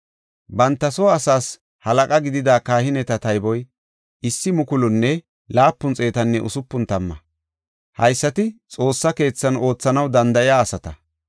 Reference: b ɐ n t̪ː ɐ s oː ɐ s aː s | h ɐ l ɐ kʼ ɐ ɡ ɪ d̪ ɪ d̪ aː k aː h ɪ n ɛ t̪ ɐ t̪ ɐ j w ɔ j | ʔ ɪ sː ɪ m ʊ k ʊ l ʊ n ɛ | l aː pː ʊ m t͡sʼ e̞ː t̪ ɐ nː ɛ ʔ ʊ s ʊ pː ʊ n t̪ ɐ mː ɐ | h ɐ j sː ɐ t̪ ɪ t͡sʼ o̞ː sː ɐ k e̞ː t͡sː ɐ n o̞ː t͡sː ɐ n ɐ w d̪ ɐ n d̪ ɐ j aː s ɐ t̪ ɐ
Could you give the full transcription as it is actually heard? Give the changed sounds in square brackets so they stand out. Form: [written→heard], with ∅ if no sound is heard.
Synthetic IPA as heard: b ɐ n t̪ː ɐ s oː ɐ s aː s | h ɐ l ɐ kʼ ɐ ɡ ɪ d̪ ɪ d̪ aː k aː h ɪ n ɛ t̪ ɐ t̪ ɐ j [w→b] ɔ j | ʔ ɪ sː ɪ m ʊ k ʊ l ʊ [n→nː] ɛ | l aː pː ʊ [m→n] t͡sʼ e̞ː t̪ ɐ nː ɛ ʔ ʊ s ʊ pː ʊ n t̪ ɐ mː ɐ | h ɐ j sː ɐ t̪ ɪ t͡sʼ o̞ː sː ɐ k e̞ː t͡sː ɐ n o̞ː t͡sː ɐ n ɐ w d̪ ɐ n d̪ ɐ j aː s ɐ t̪ ɐ